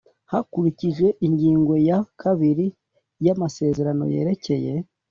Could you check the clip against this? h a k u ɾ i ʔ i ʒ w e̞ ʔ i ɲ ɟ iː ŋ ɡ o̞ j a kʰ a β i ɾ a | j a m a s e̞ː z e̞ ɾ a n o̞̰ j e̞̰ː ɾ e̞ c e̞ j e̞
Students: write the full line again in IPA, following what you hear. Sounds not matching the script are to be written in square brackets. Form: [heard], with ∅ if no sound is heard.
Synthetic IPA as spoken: h a k u ɾ i [c] i ʒ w e̞ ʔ i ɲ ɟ iː ŋ ɡ o̞ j a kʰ a β i ɾ [i] | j a m a s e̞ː z e̞ ɾ a n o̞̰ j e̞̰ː ɾ e̞ c e̞ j e̞